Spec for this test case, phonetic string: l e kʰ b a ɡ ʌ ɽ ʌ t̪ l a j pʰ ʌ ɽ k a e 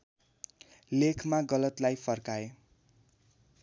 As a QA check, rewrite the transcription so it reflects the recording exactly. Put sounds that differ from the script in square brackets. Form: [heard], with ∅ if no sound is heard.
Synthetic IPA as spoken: l e kʰ [m] a ɡ ʌ [l] ʌ t̪ l a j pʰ ʌ [r] k a e